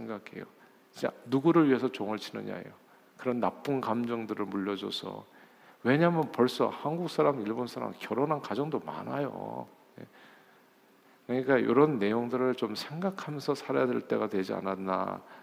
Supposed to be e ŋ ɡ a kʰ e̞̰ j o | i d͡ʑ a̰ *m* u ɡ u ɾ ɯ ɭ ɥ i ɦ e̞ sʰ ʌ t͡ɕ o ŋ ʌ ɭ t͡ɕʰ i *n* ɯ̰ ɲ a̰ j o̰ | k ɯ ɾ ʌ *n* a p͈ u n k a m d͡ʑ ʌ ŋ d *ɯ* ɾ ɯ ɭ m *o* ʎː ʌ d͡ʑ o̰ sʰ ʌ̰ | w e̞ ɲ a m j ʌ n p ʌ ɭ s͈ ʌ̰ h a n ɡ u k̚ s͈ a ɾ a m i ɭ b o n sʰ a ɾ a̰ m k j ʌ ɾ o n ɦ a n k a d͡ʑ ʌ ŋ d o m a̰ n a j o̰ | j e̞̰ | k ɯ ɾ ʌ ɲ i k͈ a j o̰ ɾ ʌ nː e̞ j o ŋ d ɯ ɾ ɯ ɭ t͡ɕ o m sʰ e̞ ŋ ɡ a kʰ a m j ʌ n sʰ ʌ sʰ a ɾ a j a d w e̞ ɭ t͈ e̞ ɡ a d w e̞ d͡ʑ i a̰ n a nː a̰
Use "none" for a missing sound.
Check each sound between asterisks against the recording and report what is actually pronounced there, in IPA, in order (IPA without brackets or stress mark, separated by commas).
n, n, nː, ɯ, u